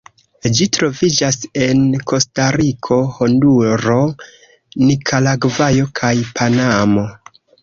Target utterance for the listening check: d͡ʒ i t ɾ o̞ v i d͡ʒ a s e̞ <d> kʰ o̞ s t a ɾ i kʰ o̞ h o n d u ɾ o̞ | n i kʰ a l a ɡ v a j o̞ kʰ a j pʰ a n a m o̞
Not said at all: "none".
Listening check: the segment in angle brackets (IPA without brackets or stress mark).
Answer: n